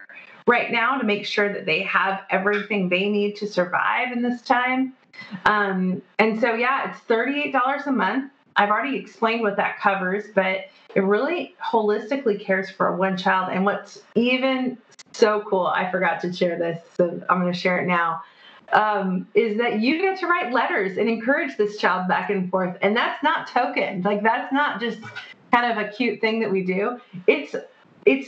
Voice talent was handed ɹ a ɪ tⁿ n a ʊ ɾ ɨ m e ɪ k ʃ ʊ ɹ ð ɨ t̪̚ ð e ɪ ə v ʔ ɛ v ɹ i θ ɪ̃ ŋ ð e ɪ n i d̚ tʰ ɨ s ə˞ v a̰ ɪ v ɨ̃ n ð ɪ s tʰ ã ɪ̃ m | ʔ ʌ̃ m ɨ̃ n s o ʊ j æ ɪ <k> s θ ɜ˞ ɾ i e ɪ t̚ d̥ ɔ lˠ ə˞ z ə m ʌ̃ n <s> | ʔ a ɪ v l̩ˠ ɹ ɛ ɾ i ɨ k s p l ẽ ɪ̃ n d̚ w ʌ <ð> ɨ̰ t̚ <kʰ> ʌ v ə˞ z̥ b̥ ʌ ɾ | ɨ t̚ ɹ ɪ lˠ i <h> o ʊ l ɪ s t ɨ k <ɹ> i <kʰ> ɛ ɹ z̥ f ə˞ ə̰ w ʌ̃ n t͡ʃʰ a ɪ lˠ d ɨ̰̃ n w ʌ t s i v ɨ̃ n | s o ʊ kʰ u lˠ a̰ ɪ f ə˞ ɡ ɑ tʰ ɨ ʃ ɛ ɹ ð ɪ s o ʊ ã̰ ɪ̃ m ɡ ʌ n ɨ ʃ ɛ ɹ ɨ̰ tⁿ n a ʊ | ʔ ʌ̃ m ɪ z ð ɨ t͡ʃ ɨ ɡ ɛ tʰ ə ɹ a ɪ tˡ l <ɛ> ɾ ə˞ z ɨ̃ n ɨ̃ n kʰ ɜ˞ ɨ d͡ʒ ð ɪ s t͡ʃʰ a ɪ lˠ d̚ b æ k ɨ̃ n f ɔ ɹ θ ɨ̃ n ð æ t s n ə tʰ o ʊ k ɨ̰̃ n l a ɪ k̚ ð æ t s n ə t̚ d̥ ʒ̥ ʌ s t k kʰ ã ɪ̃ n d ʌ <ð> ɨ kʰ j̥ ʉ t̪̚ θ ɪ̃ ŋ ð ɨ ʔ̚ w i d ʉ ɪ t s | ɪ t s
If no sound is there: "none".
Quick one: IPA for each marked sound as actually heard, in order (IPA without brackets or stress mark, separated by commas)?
t, θ, ð, kʰ, h, l, kʰ, ɛ, v